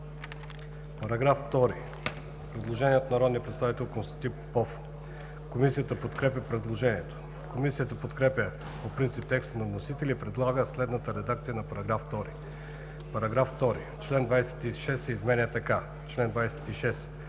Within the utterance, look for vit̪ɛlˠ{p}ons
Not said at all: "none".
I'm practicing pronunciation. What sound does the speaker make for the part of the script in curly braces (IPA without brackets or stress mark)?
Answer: k